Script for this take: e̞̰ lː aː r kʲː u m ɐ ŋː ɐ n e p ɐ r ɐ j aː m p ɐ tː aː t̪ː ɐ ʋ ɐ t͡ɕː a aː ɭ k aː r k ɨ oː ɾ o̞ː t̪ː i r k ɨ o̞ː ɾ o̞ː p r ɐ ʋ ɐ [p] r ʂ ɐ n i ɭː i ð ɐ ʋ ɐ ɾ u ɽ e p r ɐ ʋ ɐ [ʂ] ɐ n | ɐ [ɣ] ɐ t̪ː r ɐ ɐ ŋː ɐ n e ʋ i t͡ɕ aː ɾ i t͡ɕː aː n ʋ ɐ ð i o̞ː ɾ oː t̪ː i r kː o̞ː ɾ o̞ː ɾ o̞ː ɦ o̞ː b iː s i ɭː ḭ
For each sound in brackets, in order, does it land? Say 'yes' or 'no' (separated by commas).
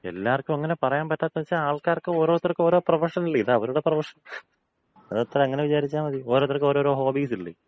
no, yes, no